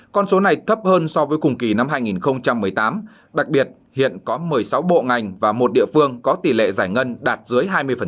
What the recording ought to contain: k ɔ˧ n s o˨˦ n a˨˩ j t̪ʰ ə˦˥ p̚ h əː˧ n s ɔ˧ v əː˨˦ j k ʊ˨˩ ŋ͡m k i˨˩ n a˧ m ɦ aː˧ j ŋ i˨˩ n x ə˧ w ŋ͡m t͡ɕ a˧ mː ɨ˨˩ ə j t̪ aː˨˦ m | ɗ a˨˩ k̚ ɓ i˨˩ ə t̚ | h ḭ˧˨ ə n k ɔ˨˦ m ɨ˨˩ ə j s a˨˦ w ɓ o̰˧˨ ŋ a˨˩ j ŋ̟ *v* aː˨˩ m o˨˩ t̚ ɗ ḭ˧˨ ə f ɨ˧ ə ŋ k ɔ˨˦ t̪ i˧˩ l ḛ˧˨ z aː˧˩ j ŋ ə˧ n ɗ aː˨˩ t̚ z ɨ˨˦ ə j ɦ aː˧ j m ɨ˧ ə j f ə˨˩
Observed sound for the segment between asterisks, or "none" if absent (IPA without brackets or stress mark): v